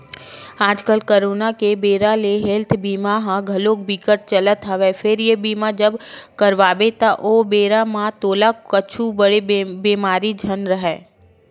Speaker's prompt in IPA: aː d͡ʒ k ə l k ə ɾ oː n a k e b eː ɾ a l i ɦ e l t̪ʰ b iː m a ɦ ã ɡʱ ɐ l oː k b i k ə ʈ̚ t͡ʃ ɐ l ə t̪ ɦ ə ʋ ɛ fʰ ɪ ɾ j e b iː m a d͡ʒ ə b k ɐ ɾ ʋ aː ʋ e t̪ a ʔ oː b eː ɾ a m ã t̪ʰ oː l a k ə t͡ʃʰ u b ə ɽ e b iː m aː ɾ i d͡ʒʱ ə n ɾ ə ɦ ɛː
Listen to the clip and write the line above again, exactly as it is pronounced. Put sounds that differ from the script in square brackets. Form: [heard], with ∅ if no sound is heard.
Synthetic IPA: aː d͡ʒ k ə l k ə ɾ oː n a k e b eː ɾ a l [e] ɦ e l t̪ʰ b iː m a ɦ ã ɡʱ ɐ l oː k b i k ə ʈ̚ t͡ʃ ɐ l ə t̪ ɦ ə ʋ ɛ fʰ ɪ ɾ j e b iː m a d͡ʒ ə b k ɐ ɾ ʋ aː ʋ e t̪ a ʔ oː b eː ɾ a m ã [t̪] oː l a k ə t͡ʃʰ u b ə ɽ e b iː m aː ɾ i d͡ʒʱ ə n ɾ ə ɦ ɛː